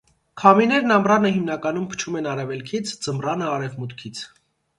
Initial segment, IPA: kʰ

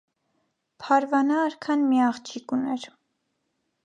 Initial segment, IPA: pʰ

